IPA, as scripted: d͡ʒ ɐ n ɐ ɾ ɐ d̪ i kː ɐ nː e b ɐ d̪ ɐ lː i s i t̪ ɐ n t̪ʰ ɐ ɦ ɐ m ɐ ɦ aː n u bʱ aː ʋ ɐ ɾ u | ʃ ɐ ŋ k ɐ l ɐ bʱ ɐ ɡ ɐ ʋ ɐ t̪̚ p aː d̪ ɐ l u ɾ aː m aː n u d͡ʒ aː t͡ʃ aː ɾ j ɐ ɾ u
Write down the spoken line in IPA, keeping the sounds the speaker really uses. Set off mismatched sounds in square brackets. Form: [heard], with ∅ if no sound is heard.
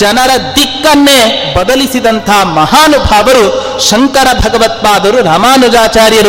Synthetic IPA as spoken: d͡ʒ ɐ n ɐ ɾ ɐ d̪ i kː ɐ nː e b ɐ d̪ ɐ [l] i s i [d̪] ɐ n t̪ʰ ɐ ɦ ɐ m ɐ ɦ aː n u bʱ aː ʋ ɐ ɾ u | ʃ ɐ ŋ k ɐ [ɾ] ɐ bʱ ɐ ɡ ɐ ʋ ɐ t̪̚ p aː d̪ ɐ [ɾ] u ɾ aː m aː n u d͡ʒ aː t͡ʃ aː ɾ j ɐ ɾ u